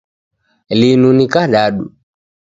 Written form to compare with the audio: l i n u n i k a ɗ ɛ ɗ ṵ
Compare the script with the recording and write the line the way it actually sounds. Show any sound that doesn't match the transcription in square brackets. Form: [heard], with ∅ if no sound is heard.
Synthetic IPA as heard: l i n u n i k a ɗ [a] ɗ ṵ